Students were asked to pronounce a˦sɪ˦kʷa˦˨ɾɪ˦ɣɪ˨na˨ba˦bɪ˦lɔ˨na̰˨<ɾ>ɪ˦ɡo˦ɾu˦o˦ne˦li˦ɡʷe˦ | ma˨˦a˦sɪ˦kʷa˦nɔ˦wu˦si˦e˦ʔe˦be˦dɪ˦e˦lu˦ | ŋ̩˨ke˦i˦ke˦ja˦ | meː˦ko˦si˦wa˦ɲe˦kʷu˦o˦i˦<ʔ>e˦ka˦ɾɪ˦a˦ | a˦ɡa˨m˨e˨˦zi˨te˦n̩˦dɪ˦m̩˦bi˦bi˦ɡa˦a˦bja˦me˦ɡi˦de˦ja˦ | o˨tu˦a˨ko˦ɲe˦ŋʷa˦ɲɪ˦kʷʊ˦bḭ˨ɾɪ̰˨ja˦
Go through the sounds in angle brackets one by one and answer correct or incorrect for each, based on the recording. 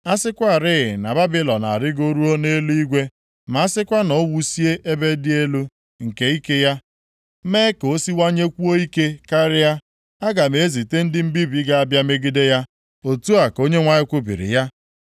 correct, incorrect: k

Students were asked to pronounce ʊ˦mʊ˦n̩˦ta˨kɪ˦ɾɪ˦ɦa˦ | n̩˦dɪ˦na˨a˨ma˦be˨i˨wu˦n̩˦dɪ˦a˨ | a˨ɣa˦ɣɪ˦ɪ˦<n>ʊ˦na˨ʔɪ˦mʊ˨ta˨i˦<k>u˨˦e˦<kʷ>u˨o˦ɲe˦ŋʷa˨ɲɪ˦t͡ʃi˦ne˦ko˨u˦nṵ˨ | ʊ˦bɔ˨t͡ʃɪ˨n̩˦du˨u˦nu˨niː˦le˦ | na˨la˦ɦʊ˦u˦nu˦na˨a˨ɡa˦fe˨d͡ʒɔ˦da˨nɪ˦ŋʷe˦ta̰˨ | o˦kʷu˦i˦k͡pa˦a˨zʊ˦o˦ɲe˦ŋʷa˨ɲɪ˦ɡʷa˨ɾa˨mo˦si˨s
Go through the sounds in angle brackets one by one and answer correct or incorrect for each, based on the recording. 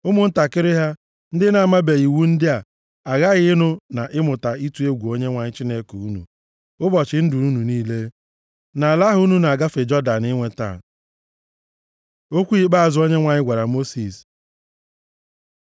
correct, incorrect: t, incorrect: ɡʷ

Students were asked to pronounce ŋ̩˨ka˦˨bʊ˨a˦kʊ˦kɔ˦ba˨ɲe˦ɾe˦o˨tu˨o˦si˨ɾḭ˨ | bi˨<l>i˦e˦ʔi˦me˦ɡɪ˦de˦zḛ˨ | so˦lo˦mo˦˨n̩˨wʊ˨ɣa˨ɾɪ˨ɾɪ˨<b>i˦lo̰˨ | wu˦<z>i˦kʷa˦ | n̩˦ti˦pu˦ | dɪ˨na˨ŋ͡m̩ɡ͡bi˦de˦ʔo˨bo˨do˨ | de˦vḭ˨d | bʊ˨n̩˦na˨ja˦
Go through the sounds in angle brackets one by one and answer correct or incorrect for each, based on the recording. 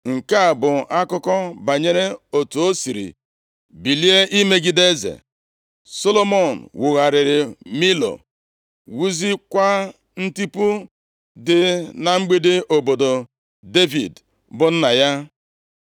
correct, incorrect: m, correct

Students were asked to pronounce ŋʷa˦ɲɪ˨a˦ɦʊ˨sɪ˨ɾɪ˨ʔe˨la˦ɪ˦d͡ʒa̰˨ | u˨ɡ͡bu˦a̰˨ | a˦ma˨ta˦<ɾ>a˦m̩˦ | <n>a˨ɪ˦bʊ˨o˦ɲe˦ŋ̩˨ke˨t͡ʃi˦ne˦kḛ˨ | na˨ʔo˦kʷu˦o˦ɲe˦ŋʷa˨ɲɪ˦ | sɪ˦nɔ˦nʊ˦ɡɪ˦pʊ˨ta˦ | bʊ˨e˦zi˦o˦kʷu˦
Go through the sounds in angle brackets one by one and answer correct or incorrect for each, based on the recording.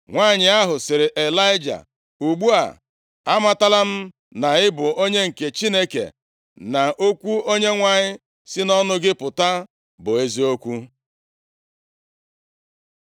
incorrect: l, correct

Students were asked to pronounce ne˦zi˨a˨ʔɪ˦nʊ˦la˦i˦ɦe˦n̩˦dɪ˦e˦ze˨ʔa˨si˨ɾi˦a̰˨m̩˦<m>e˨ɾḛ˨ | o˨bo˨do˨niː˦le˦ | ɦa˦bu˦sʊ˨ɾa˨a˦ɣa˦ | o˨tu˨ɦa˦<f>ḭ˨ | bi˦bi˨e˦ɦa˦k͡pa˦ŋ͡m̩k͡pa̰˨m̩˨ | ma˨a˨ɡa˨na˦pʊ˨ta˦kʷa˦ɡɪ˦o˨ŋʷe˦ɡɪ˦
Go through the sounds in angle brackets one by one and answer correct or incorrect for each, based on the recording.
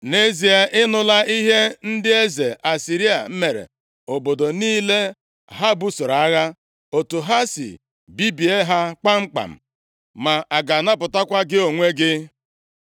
correct, incorrect: s

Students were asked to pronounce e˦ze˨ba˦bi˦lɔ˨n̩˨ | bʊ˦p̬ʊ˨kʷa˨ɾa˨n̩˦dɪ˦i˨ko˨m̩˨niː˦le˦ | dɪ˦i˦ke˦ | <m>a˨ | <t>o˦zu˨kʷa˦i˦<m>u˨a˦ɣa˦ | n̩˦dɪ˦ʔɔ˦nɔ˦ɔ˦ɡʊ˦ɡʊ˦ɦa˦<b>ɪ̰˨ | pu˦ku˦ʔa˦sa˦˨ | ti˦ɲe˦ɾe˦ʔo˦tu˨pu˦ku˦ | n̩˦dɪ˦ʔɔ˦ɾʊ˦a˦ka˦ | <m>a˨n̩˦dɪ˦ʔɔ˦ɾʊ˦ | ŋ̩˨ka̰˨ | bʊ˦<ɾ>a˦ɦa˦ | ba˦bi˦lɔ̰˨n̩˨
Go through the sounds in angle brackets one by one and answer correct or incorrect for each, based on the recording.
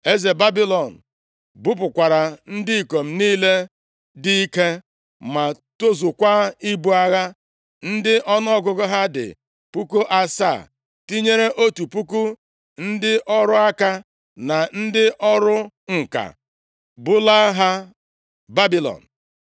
correct, correct, incorrect: b, incorrect: d, incorrect: n, incorrect: l

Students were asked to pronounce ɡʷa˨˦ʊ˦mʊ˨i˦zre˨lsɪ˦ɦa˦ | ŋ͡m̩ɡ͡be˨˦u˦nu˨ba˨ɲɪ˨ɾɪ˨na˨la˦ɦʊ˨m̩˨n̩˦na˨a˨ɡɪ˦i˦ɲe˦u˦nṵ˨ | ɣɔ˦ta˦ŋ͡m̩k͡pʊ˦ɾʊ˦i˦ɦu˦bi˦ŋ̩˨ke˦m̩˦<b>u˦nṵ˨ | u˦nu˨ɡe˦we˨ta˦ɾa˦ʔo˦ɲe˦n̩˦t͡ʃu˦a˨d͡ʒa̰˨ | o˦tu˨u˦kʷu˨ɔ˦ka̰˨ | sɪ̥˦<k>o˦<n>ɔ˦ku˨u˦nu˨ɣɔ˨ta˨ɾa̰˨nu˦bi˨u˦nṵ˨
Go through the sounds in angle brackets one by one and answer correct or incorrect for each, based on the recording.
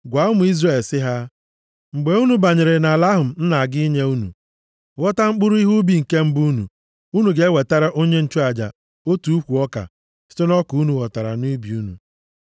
correct, incorrect: t, correct

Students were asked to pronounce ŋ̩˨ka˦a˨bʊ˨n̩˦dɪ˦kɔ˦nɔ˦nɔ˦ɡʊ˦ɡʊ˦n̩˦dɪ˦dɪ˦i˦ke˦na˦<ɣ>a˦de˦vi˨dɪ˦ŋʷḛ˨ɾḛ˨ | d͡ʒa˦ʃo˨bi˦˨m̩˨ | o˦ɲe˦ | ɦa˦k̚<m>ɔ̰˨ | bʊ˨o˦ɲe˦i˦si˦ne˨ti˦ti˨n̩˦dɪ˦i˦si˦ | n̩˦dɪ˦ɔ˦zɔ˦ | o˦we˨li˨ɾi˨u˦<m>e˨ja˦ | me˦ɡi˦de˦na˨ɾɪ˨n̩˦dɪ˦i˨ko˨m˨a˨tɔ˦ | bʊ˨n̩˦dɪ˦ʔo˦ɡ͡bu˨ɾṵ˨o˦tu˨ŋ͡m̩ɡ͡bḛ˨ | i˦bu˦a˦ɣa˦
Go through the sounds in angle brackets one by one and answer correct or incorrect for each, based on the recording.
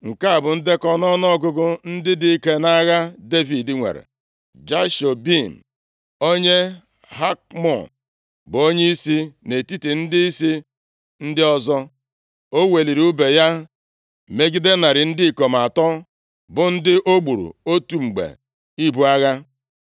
correct, correct, incorrect: b

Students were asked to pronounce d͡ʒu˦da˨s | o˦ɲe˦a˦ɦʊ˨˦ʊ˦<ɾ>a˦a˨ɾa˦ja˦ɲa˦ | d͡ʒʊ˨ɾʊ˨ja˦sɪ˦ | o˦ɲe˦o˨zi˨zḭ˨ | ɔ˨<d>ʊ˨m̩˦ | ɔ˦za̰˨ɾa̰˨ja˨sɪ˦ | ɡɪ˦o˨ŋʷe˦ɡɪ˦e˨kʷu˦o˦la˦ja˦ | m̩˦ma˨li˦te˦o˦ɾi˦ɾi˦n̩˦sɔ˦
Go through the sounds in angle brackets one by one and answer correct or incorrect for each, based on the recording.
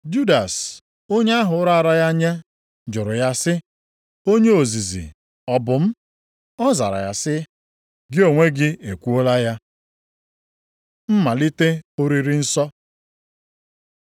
correct, incorrect: b

